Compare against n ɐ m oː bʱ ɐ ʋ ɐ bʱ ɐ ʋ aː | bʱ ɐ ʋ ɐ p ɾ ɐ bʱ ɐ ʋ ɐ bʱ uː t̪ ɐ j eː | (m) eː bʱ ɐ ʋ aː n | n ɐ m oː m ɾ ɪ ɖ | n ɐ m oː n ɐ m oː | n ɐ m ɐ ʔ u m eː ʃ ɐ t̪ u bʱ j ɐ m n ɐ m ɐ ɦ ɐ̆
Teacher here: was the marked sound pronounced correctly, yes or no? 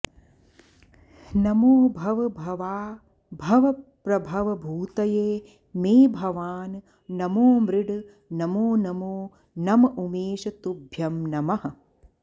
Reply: yes